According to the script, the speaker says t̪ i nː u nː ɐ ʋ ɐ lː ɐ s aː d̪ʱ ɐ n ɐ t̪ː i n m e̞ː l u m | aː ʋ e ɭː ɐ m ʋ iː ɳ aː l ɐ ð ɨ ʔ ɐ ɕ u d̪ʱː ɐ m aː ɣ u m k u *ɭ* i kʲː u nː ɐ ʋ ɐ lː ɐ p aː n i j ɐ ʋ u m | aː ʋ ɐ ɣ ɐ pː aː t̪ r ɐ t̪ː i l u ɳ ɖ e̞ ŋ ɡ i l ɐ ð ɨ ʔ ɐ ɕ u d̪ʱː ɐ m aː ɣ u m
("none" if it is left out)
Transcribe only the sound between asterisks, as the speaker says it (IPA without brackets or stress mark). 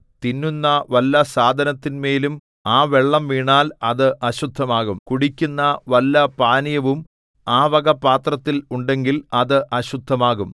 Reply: ɽ